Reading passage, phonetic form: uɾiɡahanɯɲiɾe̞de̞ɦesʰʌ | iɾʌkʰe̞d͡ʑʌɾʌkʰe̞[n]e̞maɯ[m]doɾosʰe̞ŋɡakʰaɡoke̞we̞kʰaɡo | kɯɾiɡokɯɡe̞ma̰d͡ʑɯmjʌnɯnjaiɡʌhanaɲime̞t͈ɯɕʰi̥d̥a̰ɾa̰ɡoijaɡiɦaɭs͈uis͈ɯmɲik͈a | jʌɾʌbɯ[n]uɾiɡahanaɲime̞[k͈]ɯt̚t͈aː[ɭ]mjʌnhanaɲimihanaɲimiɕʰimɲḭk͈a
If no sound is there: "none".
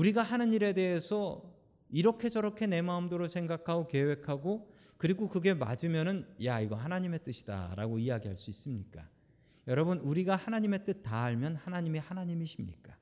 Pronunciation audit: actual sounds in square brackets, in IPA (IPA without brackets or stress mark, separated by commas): n, m, n, t͈, ɭ